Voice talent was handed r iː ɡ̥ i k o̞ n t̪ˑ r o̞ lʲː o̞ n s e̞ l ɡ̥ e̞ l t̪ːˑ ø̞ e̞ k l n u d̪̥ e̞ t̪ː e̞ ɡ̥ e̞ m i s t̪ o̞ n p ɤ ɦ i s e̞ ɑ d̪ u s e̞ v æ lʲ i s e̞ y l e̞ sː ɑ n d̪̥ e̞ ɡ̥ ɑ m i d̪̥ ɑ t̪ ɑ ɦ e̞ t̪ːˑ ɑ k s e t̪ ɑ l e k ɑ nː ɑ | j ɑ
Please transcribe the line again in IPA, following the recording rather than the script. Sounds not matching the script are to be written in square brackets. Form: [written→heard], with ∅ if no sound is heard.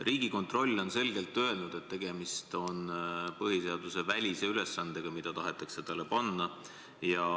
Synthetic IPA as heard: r iː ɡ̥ i k o̞ n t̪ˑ r o̞ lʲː o̞ n s e̞ l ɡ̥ e̞ l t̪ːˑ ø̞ e̞ [k→∅] l n u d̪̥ e̞ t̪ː e̞ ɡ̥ e̞ m i s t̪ o̞ n p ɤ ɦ i s e̞ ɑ d̪ u s e̞ v æ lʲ i s e̞ y l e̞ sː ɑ n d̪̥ e̞ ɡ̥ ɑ m i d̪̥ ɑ t̪ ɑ ɦ e̞ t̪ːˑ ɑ k s e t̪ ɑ l e [k→p] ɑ nː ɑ | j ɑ